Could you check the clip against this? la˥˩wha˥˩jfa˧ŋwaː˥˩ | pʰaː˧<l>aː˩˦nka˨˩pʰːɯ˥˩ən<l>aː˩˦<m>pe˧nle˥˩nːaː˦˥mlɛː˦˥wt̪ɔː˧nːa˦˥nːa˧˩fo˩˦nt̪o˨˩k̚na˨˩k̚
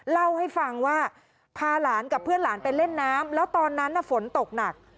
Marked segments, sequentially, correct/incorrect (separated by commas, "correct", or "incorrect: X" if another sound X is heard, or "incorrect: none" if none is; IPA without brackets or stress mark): correct, correct, incorrect: n